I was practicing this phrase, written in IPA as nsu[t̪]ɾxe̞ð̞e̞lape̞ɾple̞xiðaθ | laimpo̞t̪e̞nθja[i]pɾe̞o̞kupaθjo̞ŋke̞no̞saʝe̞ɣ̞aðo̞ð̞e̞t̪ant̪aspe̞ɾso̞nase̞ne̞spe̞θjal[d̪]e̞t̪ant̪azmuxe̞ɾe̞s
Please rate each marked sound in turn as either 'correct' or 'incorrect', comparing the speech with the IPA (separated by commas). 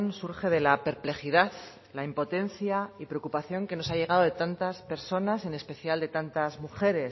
incorrect, correct, correct